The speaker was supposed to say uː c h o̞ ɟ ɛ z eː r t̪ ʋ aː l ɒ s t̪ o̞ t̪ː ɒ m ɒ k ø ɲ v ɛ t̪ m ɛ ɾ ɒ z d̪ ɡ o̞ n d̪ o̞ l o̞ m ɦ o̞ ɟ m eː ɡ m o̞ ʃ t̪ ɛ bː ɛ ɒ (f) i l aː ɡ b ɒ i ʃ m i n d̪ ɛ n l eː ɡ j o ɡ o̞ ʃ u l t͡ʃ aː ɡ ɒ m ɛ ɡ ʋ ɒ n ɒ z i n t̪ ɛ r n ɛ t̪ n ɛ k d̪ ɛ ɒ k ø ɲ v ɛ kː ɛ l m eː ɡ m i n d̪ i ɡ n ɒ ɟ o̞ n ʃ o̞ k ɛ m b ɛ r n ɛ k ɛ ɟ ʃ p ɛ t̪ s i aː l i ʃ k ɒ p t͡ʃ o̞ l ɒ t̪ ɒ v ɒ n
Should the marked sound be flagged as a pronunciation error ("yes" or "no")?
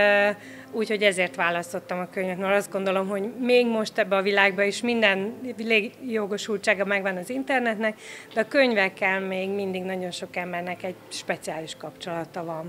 yes